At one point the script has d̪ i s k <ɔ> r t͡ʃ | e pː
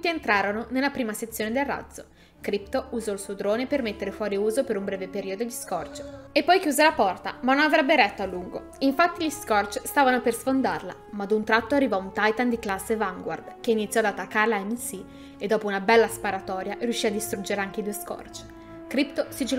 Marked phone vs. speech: correct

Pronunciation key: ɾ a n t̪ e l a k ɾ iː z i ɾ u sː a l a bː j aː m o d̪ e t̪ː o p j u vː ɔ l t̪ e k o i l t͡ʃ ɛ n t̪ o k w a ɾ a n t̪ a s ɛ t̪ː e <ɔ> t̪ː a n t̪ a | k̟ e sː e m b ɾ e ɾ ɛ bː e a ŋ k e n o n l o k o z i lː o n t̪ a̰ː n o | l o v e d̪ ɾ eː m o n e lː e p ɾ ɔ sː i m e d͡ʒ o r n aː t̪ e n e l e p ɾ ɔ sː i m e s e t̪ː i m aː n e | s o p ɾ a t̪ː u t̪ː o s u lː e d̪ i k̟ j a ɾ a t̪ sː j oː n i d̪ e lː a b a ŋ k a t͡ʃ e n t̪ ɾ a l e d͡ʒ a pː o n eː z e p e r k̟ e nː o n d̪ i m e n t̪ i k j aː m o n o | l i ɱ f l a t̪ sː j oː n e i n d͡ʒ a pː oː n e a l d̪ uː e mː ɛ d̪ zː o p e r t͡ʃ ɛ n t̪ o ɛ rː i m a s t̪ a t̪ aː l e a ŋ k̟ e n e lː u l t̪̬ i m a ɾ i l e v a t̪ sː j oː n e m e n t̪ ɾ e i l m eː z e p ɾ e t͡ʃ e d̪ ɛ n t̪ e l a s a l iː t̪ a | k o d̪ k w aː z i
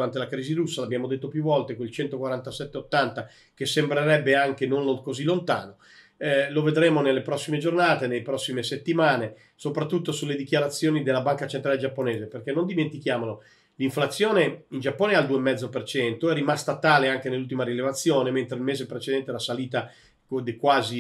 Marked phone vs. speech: incorrect: o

